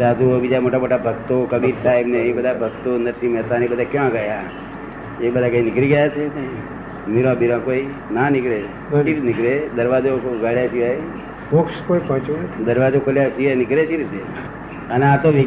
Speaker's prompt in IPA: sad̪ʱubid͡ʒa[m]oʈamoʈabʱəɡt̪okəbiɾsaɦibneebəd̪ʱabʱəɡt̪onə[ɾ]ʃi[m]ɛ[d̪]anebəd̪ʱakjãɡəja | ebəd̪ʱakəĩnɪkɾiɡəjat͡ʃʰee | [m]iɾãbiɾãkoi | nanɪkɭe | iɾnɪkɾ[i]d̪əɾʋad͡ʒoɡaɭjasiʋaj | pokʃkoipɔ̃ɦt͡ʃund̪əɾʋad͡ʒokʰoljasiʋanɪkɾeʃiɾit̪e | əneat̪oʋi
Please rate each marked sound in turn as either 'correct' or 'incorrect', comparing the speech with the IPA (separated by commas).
correct, correct, correct, incorrect, correct, incorrect